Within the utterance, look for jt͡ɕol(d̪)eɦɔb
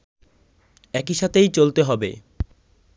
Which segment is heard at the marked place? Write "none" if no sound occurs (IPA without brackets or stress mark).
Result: t̪